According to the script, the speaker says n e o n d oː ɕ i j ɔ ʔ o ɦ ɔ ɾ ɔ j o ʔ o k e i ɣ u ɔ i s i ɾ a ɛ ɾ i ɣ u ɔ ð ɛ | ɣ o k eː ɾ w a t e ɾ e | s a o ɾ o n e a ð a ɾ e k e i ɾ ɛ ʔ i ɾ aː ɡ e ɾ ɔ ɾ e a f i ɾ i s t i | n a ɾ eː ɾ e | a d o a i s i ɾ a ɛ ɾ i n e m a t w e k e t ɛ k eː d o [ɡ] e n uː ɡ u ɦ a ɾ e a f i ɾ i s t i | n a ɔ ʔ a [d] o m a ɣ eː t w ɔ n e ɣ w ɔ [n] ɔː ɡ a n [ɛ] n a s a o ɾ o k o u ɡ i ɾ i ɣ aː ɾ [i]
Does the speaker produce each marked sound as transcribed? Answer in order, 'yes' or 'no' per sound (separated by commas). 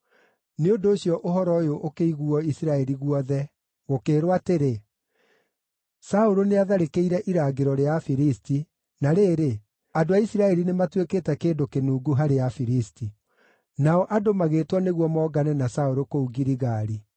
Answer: no, yes, no, yes, yes